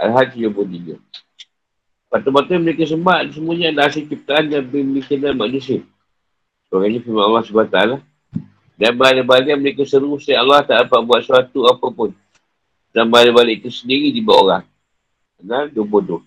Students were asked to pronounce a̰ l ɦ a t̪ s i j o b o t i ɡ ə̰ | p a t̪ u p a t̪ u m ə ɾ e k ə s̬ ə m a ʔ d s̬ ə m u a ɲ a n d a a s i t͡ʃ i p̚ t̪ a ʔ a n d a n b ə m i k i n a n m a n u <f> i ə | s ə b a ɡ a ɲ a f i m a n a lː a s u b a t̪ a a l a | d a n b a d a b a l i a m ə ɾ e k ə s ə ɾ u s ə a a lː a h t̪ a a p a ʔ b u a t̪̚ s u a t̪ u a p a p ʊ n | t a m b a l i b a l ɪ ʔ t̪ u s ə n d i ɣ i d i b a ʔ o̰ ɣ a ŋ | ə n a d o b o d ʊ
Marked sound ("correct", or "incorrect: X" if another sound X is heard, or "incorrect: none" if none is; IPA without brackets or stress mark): incorrect: s